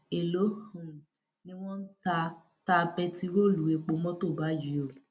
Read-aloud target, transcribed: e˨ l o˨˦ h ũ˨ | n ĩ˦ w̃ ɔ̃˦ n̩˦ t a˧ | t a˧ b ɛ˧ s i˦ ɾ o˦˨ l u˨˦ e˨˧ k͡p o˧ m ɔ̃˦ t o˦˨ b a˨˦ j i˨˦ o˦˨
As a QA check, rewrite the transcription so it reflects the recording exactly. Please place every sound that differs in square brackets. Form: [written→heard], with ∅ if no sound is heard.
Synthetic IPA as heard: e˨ l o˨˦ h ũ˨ | n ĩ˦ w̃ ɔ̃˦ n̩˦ t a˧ | t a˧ b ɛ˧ [s→t] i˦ ɾ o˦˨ l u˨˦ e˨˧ k͡p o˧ m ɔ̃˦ t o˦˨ b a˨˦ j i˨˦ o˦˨